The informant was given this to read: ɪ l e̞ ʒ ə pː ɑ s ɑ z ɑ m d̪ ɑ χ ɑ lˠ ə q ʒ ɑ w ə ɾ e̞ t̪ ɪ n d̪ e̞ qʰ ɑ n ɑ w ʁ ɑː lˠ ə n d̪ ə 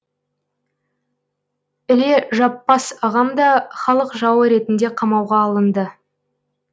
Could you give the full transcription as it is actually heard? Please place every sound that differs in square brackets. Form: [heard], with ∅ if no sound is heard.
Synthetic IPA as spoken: ɪ l e̞ ʒ [ɑ] pː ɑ s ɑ [ʁ] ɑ m d̪ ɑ χ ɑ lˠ ə q ʒ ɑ w ə ɾ e̞ t̪ ɪ n d̪ e̞ qʰ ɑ [m] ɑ w ʁ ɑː lˠ ə n d̪ ə

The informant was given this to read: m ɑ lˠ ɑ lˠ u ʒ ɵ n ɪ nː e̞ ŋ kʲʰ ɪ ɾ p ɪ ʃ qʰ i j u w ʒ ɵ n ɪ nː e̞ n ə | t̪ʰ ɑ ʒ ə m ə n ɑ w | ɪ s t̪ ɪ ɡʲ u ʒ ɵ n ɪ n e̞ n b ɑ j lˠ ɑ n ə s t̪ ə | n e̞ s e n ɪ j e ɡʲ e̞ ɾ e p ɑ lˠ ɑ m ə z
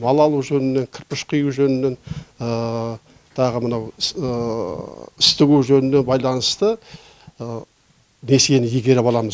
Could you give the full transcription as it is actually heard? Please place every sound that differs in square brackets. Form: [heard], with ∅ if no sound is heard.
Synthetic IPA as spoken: m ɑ lˠ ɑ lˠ u ʒ ɵ n ɪ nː e̞ ŋ kʲʰ ɪ ɾ p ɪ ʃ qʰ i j u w ʒ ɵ n ɪ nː e̞ n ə | t̪ʰ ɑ [ʁ] ə m ə n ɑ w | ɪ s t̪ ɪ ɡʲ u ʒ ɵ n ɪ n e̞ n b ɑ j lˠ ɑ n ə s t̪ ə | n e̞ s e n ɪ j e ɡʲ e̞ ɾ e p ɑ lˠ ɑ m ə z

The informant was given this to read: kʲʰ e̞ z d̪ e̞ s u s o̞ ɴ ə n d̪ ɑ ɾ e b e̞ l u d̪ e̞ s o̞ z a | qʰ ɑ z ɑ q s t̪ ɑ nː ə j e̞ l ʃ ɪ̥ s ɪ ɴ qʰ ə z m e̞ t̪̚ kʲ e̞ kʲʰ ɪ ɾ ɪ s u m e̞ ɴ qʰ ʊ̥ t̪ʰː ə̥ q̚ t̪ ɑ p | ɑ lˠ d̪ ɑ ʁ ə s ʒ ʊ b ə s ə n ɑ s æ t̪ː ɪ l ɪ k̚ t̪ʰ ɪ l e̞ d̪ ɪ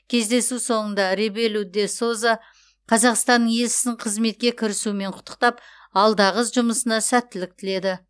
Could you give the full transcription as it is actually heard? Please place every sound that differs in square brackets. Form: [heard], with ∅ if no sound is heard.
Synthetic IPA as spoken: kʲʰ e̞ z d̪ e̞ s u s o̞ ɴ ə n d̪ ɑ ɾ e b e̞ l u d̪ e̞ s o̞ z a | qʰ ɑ z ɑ q s t̪ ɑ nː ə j e̞ l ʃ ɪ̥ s ɪ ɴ qʰ ə z m e̞ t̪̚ kʲ e̞ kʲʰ ɪ ɾ ɪ s u m e̞ ɴ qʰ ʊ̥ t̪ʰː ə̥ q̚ t̪ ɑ p | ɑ lˠ d̪ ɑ ʁ ə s ʒ ʊ [m] ə s ə n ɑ s æ t̪ː ɪ l ɪ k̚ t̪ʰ ɪ l e̞ d̪ ɪ

